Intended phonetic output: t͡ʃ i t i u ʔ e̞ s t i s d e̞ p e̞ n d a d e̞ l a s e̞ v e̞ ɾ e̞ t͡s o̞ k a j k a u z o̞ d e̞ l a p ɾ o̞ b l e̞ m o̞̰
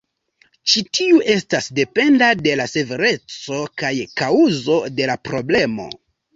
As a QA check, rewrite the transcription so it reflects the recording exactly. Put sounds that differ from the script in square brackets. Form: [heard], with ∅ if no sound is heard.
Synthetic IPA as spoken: t͡ʃ i t i u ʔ e̞ s t [a] s d e̞ p e̞ n d a d e̞ l a s e̞ v e̞ ɾ e̞ t͡s o̞ k a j k a u z o̞ d e̞ l a p ɾ o̞ b l e̞ m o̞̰